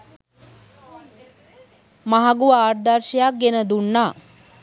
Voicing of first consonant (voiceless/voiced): voiced